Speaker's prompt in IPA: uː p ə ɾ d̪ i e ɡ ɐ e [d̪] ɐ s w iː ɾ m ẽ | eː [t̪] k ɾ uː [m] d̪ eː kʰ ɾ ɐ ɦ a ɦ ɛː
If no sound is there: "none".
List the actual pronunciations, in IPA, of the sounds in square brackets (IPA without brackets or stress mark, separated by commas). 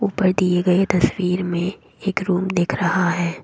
t̪, none, m